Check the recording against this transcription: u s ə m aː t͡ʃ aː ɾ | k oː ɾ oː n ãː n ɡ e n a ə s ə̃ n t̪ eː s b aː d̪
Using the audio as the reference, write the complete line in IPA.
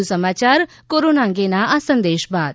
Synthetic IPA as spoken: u s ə m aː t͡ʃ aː ɾ | k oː ɾ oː n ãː ŋ ɡ e n a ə s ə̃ n d̪ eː ʃ b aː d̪